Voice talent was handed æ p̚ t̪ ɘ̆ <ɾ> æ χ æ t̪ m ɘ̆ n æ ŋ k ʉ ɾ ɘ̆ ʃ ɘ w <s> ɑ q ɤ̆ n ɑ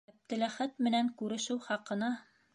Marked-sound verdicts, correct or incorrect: incorrect: l, incorrect: χ

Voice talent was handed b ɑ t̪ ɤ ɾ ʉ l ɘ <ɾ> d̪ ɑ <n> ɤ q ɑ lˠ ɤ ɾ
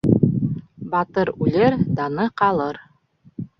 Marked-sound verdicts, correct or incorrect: correct, correct

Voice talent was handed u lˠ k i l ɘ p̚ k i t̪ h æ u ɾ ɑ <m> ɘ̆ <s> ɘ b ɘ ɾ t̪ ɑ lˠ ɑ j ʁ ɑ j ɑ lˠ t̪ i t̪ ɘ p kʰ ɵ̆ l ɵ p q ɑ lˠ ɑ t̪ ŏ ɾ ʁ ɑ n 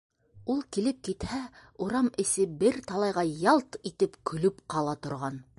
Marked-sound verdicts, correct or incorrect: correct, correct

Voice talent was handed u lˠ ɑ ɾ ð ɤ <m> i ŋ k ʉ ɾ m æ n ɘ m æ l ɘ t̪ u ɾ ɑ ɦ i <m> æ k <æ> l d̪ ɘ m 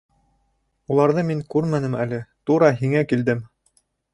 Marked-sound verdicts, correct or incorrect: correct, incorrect: ŋ, incorrect: i

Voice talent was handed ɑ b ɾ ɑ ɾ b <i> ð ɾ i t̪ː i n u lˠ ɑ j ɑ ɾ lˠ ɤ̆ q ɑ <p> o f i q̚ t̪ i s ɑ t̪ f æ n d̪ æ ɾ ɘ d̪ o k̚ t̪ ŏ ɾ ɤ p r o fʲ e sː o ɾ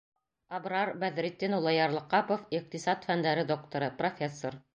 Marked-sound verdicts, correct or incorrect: incorrect: æ, correct

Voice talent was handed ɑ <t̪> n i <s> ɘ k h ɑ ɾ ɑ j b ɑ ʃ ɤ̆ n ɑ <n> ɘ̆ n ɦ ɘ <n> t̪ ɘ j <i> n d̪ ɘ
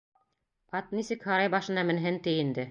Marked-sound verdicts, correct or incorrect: correct, correct, incorrect: m, correct, correct

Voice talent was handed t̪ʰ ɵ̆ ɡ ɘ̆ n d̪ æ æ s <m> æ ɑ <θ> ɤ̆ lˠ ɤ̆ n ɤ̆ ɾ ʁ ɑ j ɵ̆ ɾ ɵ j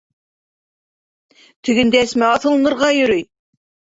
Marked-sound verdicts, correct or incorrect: correct, correct

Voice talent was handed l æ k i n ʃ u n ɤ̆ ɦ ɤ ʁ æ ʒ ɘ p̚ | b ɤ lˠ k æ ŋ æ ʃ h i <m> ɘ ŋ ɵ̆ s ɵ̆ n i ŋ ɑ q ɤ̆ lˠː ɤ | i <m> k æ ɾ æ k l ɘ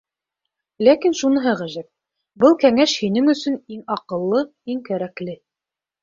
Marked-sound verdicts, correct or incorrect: incorrect: n, incorrect: ŋ

